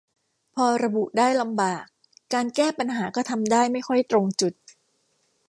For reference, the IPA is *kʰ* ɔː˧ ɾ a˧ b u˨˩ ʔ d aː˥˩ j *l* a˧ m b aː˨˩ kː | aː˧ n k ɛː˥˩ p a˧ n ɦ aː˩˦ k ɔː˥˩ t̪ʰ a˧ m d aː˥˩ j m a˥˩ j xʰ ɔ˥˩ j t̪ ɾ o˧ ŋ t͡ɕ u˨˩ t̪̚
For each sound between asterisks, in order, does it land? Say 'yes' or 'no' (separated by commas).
no, yes